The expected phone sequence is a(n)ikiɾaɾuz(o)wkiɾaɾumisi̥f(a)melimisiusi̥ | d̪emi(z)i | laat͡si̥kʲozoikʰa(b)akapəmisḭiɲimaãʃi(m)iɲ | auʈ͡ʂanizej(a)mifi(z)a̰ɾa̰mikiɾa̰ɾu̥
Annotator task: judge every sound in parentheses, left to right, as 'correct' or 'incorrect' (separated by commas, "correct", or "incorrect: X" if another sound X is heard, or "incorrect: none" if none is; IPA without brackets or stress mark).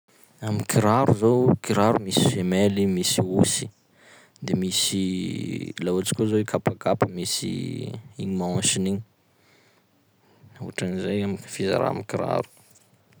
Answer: incorrect: m, correct, incorrect: e, incorrect: s, incorrect: p, incorrect: n, correct, correct